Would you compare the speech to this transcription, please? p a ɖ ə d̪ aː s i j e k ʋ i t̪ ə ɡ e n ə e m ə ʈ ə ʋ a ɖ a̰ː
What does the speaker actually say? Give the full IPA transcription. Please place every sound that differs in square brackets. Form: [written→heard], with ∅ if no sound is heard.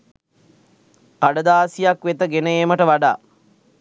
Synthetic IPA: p a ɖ ə d̪ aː s i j [e→a] k ʋ [i→e] t̪ ə ɡ e n ə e m ə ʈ ə ʋ a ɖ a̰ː